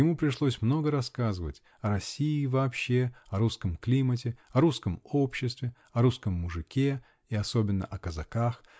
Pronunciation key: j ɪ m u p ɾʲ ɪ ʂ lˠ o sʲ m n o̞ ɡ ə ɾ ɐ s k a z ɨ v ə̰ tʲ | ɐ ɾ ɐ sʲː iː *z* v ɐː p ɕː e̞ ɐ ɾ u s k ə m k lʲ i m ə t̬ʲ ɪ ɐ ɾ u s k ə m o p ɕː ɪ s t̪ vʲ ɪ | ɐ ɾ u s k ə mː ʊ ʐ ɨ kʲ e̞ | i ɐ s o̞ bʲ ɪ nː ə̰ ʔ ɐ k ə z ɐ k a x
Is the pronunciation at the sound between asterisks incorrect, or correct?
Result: incorrect: none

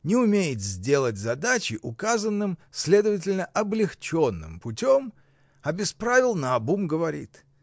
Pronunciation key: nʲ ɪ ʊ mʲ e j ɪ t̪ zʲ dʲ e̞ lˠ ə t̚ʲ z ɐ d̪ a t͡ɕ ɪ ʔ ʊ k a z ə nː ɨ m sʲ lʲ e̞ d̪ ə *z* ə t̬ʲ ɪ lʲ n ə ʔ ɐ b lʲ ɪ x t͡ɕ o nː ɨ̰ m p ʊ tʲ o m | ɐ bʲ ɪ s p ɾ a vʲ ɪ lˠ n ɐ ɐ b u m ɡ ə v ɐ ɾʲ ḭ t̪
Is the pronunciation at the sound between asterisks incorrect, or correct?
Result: incorrect: v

